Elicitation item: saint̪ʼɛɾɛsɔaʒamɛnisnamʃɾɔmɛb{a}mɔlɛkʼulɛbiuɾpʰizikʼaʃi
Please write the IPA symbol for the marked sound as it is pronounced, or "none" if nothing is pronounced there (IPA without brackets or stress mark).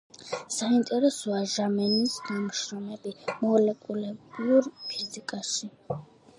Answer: i